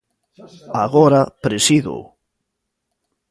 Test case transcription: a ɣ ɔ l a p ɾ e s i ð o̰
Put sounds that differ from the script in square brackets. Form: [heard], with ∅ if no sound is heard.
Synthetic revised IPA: a ɣ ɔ [ɾ] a p ɾ e s i ð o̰